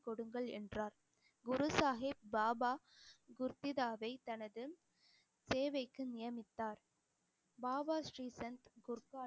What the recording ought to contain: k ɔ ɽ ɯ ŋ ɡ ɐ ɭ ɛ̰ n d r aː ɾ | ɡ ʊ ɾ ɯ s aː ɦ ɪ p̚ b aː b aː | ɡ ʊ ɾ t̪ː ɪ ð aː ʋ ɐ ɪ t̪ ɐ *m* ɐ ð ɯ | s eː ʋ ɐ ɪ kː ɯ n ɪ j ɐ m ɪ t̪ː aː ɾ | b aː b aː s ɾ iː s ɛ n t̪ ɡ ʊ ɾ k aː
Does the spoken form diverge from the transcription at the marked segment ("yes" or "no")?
yes